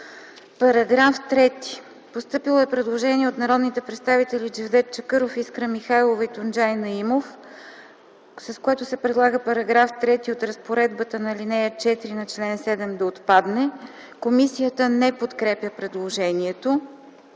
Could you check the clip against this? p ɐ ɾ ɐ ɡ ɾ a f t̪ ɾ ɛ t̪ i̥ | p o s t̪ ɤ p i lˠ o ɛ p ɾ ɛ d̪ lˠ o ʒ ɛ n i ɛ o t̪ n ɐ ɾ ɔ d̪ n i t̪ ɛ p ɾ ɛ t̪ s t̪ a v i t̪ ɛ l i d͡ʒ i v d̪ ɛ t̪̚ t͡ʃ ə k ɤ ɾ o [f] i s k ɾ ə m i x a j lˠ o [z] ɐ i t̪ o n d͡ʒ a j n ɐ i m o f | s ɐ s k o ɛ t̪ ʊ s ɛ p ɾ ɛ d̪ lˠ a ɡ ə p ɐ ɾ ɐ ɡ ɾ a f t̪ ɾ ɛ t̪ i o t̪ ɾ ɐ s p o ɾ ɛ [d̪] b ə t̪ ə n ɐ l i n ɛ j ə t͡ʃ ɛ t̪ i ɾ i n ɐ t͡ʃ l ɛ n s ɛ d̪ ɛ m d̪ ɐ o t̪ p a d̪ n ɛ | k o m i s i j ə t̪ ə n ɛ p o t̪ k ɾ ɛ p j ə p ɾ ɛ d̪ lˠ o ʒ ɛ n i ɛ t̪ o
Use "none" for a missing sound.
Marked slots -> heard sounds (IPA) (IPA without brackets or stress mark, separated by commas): f, v, d̪